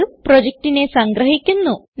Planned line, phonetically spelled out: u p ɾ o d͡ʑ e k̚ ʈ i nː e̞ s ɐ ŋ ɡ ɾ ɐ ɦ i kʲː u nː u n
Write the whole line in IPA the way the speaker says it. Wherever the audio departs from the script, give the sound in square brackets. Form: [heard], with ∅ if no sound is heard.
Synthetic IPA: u p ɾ o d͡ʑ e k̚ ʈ i [n] e̞ s ɐ ŋ ɡ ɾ ɐ ɦ i kʲː u nː u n